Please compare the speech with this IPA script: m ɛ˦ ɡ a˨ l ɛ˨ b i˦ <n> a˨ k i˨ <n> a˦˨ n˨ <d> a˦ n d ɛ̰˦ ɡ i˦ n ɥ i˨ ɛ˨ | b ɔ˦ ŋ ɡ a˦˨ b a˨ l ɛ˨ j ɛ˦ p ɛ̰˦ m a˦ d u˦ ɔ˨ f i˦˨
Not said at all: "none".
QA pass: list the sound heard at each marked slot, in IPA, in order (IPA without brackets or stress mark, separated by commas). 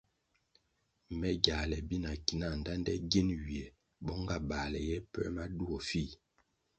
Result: n, n, d